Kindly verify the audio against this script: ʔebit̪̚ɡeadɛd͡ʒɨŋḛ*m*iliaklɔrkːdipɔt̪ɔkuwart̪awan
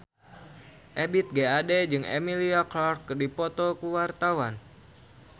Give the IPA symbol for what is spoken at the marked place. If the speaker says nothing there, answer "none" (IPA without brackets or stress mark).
m